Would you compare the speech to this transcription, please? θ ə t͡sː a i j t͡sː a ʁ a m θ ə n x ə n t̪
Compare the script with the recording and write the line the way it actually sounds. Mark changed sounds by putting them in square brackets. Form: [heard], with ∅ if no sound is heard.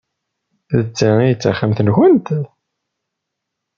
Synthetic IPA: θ ə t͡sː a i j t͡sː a [χ] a m θ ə n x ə n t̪

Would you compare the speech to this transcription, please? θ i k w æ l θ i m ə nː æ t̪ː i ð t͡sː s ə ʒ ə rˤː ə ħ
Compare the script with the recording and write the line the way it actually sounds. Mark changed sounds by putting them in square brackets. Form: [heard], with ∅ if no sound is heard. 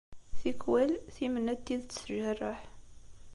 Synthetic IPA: θ i k w æ l θ i m ə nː æ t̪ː i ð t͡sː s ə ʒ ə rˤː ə ħ

